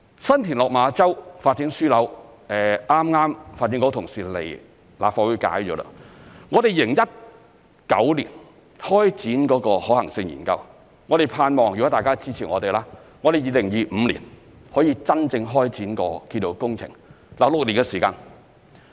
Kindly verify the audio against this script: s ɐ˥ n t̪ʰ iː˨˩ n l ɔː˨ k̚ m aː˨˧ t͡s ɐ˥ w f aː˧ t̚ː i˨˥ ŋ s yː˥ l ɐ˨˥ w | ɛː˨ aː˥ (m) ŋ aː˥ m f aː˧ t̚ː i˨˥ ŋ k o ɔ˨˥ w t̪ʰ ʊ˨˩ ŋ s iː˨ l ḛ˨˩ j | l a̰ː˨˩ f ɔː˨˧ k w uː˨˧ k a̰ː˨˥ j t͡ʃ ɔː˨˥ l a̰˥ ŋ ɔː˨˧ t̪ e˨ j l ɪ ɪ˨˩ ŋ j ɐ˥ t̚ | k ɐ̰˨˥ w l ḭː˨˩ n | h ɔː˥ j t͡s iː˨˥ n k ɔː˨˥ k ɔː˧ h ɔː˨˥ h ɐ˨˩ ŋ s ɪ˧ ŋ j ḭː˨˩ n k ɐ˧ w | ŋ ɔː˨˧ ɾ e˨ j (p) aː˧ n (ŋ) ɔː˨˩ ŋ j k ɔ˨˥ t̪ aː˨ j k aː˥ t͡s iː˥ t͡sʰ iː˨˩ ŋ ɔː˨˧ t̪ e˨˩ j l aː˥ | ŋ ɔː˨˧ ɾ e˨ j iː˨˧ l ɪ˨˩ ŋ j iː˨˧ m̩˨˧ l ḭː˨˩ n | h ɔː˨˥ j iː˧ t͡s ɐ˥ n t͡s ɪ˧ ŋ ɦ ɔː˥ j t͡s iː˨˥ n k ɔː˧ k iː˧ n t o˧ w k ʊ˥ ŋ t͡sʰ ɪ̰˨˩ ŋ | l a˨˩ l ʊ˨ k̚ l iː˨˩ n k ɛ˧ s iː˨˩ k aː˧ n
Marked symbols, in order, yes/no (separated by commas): yes, no, no